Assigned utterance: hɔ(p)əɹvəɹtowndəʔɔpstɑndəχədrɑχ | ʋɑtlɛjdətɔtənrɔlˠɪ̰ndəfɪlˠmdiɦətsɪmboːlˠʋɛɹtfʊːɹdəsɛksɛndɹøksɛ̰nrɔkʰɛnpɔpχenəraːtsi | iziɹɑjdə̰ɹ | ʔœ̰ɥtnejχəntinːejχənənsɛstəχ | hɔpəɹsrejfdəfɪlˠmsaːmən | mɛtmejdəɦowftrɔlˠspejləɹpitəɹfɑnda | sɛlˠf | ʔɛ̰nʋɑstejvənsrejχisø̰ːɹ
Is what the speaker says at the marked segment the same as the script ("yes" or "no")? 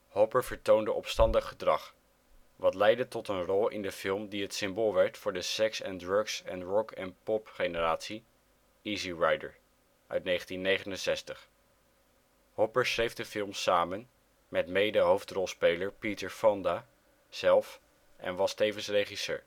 yes